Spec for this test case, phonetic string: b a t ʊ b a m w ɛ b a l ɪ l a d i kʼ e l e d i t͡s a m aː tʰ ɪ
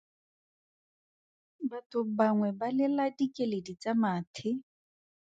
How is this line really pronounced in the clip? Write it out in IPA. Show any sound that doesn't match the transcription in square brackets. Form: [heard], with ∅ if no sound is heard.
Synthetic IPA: b a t ʊ b a [ŋ] w ɛ b a l ɪ l a d i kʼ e l e d i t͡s a m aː tʰ ɪ

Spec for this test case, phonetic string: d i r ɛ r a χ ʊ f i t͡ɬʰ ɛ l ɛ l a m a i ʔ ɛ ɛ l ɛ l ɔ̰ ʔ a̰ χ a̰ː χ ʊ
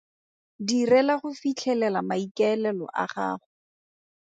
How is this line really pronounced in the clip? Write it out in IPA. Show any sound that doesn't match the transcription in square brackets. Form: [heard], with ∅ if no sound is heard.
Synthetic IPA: d i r ɛ [l] a χ ʊ f i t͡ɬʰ ɛ l ɛ l a m a i [k] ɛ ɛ l ɛ l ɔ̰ ʔ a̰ χ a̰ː χ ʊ

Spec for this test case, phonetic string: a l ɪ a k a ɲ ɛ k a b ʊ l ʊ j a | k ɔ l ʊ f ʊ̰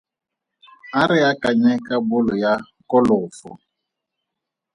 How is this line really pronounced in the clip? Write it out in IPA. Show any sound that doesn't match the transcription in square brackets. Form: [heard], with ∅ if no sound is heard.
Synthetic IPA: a [ɾ] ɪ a k a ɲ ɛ k a b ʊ l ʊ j a | k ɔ l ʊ f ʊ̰

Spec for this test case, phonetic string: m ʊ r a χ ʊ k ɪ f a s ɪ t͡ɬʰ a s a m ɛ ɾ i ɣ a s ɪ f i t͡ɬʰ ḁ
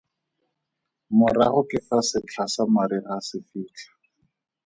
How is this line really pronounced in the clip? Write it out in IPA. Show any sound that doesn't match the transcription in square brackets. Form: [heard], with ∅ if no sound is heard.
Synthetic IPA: m ʊ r a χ ʊ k ɪ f a s ɪ t͡ɬʰ a s a m [a] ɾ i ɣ a s ɪ f [iː] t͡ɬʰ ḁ

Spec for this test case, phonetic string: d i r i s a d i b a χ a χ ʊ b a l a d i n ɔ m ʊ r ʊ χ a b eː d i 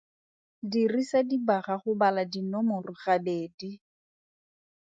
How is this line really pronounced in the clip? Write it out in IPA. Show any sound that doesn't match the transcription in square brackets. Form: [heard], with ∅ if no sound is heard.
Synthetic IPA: d i r i s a d i b a χ a χ ʊ b a l a d i n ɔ m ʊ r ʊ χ a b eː d i

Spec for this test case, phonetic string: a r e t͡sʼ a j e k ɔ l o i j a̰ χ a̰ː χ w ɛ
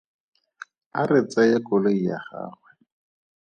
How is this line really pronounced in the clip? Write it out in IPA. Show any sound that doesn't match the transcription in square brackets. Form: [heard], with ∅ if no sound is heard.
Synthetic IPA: a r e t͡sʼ a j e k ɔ l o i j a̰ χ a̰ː χ w ɛ

